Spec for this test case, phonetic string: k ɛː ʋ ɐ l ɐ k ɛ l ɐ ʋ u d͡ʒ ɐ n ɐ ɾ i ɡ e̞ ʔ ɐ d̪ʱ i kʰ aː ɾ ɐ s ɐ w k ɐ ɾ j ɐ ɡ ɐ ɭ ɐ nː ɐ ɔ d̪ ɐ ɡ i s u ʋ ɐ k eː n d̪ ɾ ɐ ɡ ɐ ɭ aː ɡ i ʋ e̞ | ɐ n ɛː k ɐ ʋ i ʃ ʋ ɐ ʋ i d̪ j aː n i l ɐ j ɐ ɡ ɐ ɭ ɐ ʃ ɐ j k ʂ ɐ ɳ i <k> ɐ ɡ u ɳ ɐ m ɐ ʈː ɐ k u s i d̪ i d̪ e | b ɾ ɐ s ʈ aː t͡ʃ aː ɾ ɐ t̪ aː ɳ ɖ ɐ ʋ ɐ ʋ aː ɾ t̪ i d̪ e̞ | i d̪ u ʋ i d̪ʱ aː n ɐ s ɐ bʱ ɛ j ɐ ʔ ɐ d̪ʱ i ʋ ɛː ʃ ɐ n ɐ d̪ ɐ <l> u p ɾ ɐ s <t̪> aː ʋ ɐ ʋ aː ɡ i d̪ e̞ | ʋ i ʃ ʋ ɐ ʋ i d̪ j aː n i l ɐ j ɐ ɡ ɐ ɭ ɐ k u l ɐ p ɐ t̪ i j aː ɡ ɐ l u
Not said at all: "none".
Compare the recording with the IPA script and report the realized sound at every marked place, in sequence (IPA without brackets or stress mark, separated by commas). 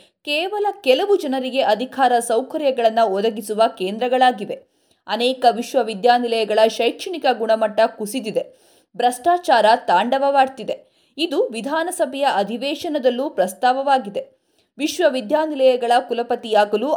k, lː, t̪